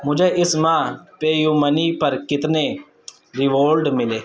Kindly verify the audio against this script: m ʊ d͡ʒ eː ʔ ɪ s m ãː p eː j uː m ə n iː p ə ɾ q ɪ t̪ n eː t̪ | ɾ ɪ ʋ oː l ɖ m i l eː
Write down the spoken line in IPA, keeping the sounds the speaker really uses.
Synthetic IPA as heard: m ʊ d͡ʒ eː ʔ ɪ s m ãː p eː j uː m ə n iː p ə ɾ k ɪ t̪ n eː | ɾ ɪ ʋ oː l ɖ m ɪ l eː